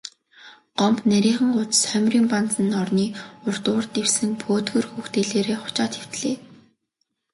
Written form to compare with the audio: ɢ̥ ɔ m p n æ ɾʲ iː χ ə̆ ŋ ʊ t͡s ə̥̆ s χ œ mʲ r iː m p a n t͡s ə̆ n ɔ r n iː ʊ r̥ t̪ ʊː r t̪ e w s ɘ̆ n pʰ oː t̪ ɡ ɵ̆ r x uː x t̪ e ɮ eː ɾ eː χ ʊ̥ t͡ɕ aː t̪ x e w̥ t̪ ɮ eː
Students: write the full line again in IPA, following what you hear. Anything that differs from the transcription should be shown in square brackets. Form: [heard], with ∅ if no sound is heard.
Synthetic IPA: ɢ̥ ɔ m p n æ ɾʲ iː χ ə̆ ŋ ʊ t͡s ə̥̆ s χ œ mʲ r iː m p a n t͡s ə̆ n ɔ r n iː ʊ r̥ t̪ ʊː r t̪ e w s ɘ̆ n pʰ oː t̪ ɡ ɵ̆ r x uː x t̪ e ɮ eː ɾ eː χ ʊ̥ t͡ɕ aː t̪ x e w̥ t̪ ɮ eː